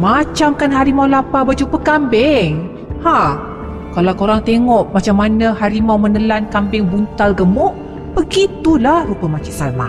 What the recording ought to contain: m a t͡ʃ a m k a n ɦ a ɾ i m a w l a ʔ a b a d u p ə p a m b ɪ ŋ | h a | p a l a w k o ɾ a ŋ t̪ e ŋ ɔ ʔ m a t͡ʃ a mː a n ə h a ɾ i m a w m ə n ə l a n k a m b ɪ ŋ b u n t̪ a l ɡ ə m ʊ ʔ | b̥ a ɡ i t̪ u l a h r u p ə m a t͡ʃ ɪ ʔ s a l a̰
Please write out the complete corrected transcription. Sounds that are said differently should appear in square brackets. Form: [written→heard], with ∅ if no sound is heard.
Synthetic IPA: m a t͡ʃ a m k a n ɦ a ɾ i m a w l a [ʔ→p] a b a [d→d͡ʒ] u p ə [p→k] a m b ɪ ŋ | h a | [p→k] a l a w k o ɾ a ŋ t̪ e ŋ ɔ ʔ m a t͡ʃ a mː a n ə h a ɾ i m a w m ə n ə l a n k a m b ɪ ŋ b u n t̪ a l ɡ ə m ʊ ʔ | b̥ [a→ə] ɡ i t̪ u l a h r u p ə m a t͡ʃ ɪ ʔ s a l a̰